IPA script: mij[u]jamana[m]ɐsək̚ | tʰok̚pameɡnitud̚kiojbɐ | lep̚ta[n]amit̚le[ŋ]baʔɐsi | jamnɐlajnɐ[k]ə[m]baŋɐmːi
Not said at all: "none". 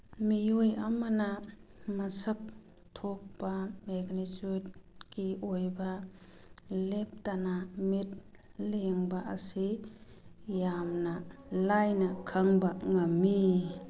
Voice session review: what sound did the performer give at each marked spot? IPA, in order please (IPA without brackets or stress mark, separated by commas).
o, m, n, ŋ, kʰ, ŋ